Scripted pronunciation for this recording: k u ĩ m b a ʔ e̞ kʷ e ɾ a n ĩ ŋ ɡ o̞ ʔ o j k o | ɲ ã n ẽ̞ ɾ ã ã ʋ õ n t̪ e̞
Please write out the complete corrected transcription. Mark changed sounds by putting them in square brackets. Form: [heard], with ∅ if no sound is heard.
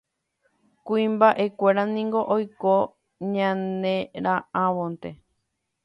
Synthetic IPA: k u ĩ m b a ʔ e̞ kʷ e ɾ a n ĩ ŋ ɡ o̞ ʔ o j k o | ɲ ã n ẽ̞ ɾ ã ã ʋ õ n t̪ e̞